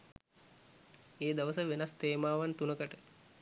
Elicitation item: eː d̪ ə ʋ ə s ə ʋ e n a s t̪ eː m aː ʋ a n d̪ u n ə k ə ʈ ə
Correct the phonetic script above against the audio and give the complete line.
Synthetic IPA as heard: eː d̪ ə ʋ ə s ə ʋ e n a s t̪ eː m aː ʋ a n t̪ u n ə k ə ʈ ə

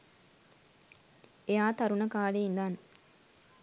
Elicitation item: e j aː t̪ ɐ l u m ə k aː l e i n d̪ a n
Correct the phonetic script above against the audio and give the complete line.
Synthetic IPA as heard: e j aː t̪ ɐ ɾ u n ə k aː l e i n d̪ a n

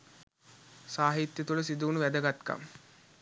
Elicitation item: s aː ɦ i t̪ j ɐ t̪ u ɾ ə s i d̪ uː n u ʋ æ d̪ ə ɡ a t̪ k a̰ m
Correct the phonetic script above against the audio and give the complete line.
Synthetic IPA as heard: s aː ɦ i t̪ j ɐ t̪ u l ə s i d̪ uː n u ʋ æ d̪ ə ɡ a t̪ k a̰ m

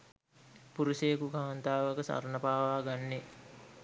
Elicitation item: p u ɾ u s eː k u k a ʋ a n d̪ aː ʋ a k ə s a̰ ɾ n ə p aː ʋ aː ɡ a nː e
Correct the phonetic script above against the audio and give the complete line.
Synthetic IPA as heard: p u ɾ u s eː k u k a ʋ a n t̪ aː ʋ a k ə s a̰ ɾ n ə p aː ʋ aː ɡ a nː e

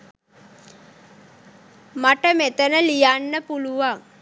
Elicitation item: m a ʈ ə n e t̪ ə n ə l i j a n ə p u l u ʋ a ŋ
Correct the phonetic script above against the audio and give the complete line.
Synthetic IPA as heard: m a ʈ ə m e t̪ ə n ə l i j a nː ə p u l u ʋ a ŋ

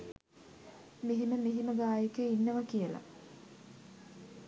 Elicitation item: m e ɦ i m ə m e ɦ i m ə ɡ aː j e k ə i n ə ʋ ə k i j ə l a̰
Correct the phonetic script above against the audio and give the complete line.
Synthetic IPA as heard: m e ɦ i m ə m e ɦ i m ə ɡ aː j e k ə i nː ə ʋ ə k i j ə l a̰

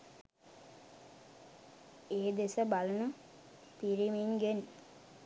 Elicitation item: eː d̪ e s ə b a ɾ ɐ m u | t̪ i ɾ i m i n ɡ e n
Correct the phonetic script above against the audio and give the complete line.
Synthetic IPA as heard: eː d̪ e s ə b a l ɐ n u | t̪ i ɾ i m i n ɡ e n

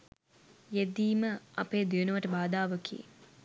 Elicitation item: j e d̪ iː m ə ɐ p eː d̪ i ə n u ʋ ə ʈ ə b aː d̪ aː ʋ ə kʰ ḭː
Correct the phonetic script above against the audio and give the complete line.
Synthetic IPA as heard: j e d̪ iː m ə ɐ p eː d̪ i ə n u ʋ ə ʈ ə b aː d̪ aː ʋ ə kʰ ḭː

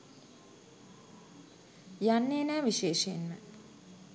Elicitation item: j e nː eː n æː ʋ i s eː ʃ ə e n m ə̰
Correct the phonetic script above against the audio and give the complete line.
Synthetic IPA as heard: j a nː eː n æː ʋ i ʃ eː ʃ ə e n m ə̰

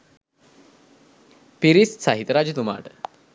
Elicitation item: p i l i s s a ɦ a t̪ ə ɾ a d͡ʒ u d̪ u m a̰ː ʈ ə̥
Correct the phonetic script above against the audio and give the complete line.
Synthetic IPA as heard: p i ɾ i s s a ɦ i t̪ ə ɾ a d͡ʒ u t̪ u m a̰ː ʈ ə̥

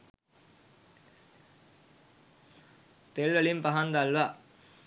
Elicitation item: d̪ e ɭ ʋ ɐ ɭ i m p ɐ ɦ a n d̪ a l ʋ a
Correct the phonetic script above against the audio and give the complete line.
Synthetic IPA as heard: t̪ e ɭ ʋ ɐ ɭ i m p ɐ ɦ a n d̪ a l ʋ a

